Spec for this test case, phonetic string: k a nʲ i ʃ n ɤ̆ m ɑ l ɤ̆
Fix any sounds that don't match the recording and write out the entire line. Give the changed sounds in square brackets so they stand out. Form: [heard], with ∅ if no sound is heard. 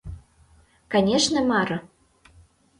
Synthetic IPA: k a nʲ [e] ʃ n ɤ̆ m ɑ [ɾ] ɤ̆